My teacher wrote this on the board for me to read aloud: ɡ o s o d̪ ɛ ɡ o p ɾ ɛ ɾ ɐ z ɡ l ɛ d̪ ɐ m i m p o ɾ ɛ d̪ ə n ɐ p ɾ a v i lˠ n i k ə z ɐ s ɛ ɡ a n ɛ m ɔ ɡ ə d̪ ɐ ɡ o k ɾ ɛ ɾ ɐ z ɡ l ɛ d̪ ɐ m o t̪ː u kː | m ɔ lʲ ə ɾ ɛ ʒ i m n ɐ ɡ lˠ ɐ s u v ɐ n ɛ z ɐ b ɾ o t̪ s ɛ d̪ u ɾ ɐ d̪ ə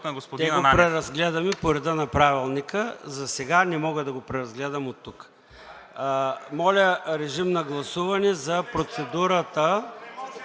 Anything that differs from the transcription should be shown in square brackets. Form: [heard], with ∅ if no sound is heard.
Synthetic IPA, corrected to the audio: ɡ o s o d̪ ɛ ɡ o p ɾ ɛ ɾ ɐ z ɡ l ɛ d̪ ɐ m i [∅] p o ɾ ɛ d̪ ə n ɐ p ɾ a v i lˠ n i k ə z ɐ s ɛ ɡ a n ɛ m ɔ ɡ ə d̪ ɐ ɡ o [p] ɾ ɛ ɾ ɐ z ɡ l ɛ d̪ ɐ m o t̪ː u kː | m ɔ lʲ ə ɾ ɛ ʒ i m n ɐ ɡ lˠ ɐ s u v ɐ n ɛ z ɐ [p] ɾ o t̪ s ɛ d̪ u ɾ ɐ [t̪] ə

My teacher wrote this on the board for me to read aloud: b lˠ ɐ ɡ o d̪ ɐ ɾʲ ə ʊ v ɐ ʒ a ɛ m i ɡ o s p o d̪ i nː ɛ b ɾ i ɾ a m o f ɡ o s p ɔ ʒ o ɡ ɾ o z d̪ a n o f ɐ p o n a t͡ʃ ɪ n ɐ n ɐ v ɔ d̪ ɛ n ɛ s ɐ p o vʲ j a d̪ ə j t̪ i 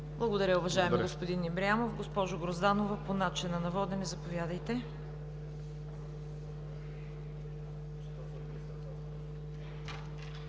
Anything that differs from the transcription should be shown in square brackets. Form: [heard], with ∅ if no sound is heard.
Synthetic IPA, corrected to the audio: b lˠ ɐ ɡ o d̪ ɐ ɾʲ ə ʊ v ɐ ʒ a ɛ m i ɡ o s p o d̪ i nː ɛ b ɾ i [∅] a m o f ɡ o s p ɔ ʒ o ɡ ɾ o z d̪ a n o [v] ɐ p o n a t͡ʃ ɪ n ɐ n ɐ v ɔ d̪ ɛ n ɛ [z] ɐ p o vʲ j a d̪ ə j t̪ [ɛ]

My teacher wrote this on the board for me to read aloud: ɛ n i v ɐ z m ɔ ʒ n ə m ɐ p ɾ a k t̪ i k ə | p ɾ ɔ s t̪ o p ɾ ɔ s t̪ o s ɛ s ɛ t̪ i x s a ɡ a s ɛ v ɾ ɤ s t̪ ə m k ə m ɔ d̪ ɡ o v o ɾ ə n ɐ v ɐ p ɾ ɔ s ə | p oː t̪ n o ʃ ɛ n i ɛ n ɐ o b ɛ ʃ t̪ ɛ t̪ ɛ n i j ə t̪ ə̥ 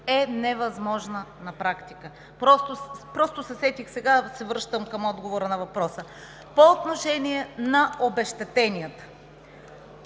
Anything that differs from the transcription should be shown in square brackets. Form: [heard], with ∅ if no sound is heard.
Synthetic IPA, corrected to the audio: ɛ n [ɛ] v ɐ z m ɔ ʒ n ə [n] ɐ p ɾ a k t̪ i k ə | p ɾ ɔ s t̪ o p ɾ ɔ s t̪ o s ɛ s ɛ t̪ i x s [ɛ] ɡ a s ɛ v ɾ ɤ [ʃ] t̪ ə m k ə m ɔ d̪ ɡ o v o ɾ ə n ɐ v ɐ p ɾ ɔ s ə | p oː t̪ n o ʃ ɛ n i ɛ n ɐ o b ɛ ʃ t̪ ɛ t̪ ɛ n i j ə t̪ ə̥

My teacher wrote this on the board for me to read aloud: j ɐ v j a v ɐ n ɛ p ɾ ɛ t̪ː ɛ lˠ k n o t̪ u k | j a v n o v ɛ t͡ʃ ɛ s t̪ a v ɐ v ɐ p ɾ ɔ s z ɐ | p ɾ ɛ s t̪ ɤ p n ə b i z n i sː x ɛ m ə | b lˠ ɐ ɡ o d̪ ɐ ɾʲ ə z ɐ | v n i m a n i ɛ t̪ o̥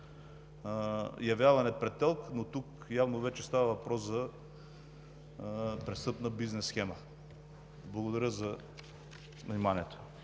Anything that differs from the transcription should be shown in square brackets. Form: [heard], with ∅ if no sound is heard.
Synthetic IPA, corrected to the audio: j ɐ v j a v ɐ n ɛ p ɾ ɛ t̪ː ɛ lˠ k n o t̪ u k | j a v n o v ɛ t͡ʃ ɛ s t̪ a v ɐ v ɐ p ɾ ɔ s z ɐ | p ɾ ɛ s t̪ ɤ p n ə b i z n [ɛ] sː x ɛ m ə | b lˠ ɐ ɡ o d̪ ɐ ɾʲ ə z ɐ | v n i m a n i ɛ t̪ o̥

